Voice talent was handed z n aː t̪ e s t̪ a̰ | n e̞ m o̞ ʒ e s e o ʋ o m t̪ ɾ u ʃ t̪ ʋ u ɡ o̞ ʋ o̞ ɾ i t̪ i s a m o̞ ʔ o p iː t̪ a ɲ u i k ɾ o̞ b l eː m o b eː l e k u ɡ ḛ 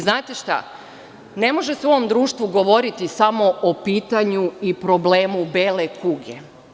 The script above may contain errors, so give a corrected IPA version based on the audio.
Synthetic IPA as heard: z n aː t̪ e ʃ t̪ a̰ | n e̞ m o̞ ʒ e s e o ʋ o m d̪ ɾ uː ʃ t̪ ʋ u ɡ o̞ ʋ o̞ ɾ i t̪ i s a m o̞ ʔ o p iː t̪ a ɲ u i p ɾ o̞ b l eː m u b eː l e k u ɡ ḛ